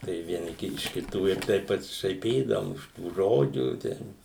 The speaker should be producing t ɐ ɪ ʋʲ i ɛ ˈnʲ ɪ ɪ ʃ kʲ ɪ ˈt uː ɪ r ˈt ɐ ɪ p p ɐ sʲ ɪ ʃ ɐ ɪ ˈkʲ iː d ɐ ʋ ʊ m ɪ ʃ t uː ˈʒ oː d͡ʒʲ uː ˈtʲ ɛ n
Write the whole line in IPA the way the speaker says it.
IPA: t ɐ ɪ ʋʲ i ɛ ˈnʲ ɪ ɪ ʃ kʲ ɪ ˈt uː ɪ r ˈt ɐ ɪ p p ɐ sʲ ɪ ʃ ɐ ɪ ˈpʲ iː d ɐ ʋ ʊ m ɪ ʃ t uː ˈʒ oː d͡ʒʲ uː ˈtʲ ɛ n

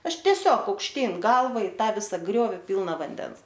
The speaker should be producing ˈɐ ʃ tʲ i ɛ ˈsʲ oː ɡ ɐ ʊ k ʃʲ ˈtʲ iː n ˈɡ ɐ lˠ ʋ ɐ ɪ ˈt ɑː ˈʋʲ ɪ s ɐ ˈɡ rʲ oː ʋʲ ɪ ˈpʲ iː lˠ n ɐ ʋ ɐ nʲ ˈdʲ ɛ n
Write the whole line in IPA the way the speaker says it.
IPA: ˈɐ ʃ tʲ i ɛ ˈsʲ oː k ɐ ʊ k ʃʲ ˈtʲ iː n ˈɡ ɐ lˠ ʋ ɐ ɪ ˈt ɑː ˈʋʲ ɪ s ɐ ˈɡ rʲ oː ʋʲ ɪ ˈpʲ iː lˠ n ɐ ʋ ɐ nʲ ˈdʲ ɛ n

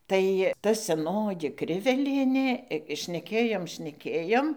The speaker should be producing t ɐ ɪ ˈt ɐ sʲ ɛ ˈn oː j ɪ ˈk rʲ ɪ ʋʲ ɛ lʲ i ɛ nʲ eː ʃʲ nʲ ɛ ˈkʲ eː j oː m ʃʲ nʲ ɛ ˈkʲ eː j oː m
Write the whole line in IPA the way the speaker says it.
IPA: t ɐ ɪ ˈt ɐ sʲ ɛ ˈn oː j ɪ ˈk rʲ ɪ ʋʲ ɛ lʲ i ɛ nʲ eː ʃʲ nʲ ɛ ˈkʲ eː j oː m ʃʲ nʲ ɛ ˈkʲ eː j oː m

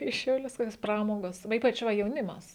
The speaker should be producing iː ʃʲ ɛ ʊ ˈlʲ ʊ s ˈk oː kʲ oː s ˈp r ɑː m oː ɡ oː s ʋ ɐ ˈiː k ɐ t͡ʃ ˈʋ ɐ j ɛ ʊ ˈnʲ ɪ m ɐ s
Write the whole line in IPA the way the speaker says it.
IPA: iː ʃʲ ɛ ʊ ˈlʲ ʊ s ˈk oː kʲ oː s ˈp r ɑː m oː ɡ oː s ʋ ɐ ˈiː p ɐ t͡ʃ ˈʋ ɐ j ɛ ʊ ˈnʲ ɪ m ɐ s

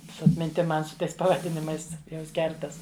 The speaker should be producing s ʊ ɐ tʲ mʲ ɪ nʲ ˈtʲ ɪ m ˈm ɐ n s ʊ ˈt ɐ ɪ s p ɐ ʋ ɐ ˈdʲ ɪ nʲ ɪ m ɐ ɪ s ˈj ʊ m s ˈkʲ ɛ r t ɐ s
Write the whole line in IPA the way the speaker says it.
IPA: s ʊ ɐ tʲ mʲ ɪ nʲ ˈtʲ ɪ m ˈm ɐ n s ʊ ˈt ɐ ɪ s p ɐ ʋ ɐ ˈdʲ ɪ nʲ ɪ m ɐ ɪ s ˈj ʊ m s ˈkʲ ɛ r t ɐ s

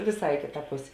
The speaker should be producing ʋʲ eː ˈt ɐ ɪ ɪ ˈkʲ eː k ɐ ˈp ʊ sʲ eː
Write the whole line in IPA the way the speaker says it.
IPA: ʋʲ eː ˈs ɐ ɪ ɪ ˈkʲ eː t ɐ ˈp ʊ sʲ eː

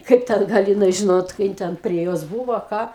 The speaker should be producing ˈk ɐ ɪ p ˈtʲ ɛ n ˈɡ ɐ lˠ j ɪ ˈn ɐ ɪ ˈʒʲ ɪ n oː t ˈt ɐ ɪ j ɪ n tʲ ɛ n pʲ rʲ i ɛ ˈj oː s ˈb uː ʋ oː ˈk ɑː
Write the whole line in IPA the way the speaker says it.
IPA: ˈk ɐ ɪ p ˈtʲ ɛ n ˈɡ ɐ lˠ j ɪ ˈn ɐ ɪ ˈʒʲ ɪ n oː t ˈk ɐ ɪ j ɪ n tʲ ɛ n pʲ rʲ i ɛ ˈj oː s ˈb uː ʋ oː ˈk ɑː

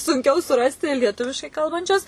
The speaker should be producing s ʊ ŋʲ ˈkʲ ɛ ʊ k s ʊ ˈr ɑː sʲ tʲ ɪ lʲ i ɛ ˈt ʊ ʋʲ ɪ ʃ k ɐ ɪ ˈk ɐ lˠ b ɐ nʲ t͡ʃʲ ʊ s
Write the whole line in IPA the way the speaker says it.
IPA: s ʊ ŋʲ ˈkʲ ɛ ʊ s ʊ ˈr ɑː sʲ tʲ ɪ lʲ i ɛ ˈt ʊ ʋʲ ɪ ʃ k ɐ ɪ ˈk ɐ lˠ b ɐ nʲ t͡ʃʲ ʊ s

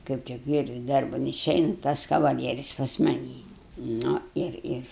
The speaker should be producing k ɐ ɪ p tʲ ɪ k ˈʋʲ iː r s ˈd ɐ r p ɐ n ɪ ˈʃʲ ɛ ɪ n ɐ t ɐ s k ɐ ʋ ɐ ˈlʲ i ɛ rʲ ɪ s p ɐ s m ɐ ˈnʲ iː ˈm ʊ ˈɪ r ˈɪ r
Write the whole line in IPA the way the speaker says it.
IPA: k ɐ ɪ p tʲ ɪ k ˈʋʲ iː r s ˈd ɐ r b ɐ n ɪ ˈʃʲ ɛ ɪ n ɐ t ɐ s k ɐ ʋ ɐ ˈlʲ i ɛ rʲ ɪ s p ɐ s m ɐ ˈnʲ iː ˈn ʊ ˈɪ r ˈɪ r

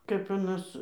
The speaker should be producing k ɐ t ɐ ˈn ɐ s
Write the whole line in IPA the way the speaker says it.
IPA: k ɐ p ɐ ˈn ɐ s

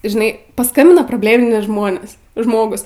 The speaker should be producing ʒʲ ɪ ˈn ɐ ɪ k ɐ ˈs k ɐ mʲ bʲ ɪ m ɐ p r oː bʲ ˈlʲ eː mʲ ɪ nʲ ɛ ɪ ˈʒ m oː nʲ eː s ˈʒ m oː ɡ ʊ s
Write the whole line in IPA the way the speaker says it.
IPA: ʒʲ ɪ ˈn ɐ ɪ p ɐ ˈs k ɐ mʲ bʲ ɪ n ɐ p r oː bʲ ˈlʲ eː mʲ ɪ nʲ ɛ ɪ ˈʒ m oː nʲ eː s ˈʒ m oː ɡ ʊ s

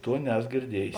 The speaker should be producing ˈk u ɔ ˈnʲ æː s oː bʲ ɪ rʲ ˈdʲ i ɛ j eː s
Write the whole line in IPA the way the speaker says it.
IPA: ˈt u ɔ ˈnʲ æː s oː ɡʲ ɪ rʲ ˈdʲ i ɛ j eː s

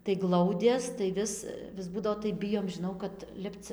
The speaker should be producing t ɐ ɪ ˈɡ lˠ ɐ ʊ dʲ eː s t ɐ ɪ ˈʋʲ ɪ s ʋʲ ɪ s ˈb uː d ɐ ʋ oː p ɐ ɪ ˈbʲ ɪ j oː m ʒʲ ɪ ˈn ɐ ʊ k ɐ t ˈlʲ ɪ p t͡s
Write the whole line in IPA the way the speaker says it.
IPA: t ɐ ɪ ˈɡ lˠ ɐ ʊ dʲ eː s t ɐ ɪ ˈʋʲ ɪ s ʋʲ ɪ s ˈb uː d ɐ ʋ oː t ɐ ɪ ˈbʲ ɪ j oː m ʒʲ ɪ ˈn ɐ ʊ k ɐ t ˈlʲ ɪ p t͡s

